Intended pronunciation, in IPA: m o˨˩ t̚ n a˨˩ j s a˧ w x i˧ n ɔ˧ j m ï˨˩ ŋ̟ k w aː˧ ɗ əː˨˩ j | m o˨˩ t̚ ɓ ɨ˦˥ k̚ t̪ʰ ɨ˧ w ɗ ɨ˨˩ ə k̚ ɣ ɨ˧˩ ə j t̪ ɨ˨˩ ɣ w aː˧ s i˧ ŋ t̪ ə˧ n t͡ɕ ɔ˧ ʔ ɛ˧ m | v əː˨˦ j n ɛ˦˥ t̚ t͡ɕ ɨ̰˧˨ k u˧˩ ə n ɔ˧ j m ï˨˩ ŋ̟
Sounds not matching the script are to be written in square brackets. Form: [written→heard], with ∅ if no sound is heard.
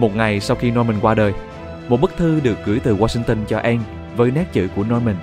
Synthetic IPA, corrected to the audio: m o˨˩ t̚ [n→ŋ] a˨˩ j s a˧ w x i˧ n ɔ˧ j m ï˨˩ ŋ̟ k w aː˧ ɗ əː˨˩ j | m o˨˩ t̚ ɓ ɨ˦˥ k̚ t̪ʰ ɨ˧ [w→∅] ɗ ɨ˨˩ ə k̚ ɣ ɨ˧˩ ə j t̪ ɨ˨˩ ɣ w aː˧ s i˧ ŋ t̪ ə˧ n t͡ɕ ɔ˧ ʔ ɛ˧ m | v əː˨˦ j n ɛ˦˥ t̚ t͡ɕ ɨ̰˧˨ k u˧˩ ə n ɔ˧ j m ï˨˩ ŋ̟